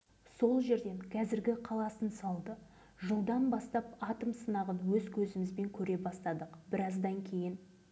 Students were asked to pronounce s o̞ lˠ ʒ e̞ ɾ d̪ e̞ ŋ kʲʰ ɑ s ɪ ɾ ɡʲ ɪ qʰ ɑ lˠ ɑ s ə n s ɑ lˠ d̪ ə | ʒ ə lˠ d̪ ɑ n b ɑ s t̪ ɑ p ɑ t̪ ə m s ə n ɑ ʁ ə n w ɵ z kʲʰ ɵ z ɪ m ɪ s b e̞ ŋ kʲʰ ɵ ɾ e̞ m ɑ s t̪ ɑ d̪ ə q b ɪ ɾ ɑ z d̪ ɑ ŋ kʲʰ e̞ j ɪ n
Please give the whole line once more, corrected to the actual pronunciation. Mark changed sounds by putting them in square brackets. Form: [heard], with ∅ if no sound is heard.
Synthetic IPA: s o̞ lˠ ʒ e̞ ɾ d̪ e̞ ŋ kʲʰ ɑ [z] ɪ ɾ ɡʲ ɪ qʰ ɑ lˠ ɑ s ə n s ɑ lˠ d̪ ə | ʒ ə lˠ d̪ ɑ n b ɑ s t̪ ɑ p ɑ t̪ ə m s ə n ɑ ʁ ə n w ɵ z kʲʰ ɵ z ɪ m ɪ [z] b e̞ ŋ kʲʰ ɵ ɾ e̞ [b] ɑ s t̪ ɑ d̪ ə q b ɪ ɾ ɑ z d̪ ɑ ŋ kʲʰ e̞ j ɪ n